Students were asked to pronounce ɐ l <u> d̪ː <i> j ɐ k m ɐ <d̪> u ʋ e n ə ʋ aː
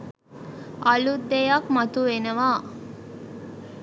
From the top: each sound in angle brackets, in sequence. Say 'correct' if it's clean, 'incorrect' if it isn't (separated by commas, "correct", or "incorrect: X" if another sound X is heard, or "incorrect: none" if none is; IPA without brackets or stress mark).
correct, incorrect: e, incorrect: t̪